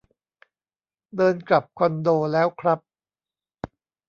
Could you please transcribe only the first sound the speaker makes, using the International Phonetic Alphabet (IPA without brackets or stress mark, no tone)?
d